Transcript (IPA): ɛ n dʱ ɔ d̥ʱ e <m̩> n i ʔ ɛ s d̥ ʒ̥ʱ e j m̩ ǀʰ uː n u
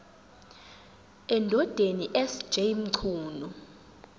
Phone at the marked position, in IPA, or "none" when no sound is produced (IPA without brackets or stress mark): none